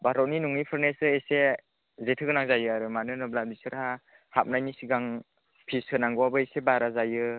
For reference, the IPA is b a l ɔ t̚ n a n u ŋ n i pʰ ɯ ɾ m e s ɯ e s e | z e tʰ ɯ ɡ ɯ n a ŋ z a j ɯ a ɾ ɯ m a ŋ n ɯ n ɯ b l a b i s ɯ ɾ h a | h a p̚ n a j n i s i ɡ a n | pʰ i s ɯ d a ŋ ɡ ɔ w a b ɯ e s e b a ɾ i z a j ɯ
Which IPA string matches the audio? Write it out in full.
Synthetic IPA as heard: b a ɾ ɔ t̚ n i n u ŋ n i pʰ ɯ ɾ n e s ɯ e s e | z e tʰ ɯ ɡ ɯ n a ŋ z a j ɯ a ɾ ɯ m a n ɯ n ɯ b l a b i s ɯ ɾ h a | h a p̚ n a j n i s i ɡ a ŋ | pʰ i s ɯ n a ŋ ɡ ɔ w a b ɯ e s e b a ɾ a z a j ɯ